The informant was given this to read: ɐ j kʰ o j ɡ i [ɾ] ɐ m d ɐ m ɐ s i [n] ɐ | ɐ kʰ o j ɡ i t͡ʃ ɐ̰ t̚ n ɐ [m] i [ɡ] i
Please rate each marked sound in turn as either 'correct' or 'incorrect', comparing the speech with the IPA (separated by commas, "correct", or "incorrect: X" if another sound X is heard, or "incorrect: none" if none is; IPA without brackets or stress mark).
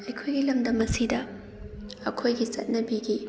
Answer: incorrect: l, incorrect: d, incorrect: b, correct